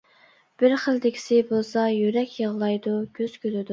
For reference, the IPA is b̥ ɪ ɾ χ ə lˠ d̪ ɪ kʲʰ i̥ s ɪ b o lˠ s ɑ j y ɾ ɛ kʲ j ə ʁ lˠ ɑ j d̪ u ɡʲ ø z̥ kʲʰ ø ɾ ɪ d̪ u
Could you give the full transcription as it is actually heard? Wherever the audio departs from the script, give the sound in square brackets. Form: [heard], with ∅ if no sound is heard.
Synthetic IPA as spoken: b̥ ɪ ɾ χ ə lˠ d̪ ɪ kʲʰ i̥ s ɪ b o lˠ s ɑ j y ɾ ɛ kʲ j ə ʁ lˠ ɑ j d̪ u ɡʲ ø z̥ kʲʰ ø [l] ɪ d̪ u